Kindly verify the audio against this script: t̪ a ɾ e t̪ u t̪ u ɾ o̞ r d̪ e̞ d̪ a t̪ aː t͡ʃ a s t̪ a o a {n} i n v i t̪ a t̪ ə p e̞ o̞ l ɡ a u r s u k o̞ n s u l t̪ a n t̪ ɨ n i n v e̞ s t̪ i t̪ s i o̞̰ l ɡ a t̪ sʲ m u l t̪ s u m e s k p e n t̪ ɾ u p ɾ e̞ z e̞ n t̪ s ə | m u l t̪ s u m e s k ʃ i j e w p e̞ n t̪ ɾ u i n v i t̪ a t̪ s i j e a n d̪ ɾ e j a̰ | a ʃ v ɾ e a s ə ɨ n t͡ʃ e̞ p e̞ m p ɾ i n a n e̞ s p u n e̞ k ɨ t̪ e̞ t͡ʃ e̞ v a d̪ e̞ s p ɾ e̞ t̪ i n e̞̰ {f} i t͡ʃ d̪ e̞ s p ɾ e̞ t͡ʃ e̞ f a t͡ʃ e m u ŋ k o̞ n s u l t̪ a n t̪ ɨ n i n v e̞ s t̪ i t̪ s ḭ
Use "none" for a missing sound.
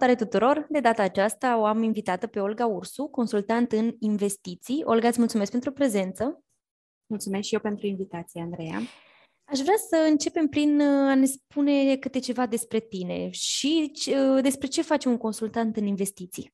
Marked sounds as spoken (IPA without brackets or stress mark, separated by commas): m, ʃ